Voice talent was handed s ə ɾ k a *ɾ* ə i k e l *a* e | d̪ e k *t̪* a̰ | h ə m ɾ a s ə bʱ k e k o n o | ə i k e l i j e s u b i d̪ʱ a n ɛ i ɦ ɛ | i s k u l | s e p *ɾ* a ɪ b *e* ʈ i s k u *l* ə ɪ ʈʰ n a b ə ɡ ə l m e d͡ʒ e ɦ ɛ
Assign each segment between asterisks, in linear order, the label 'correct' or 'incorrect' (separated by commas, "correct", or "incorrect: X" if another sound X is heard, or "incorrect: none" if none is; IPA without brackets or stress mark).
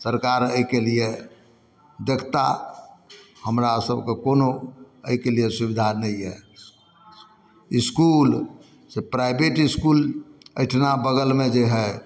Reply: correct, incorrect: i, correct, correct, correct, correct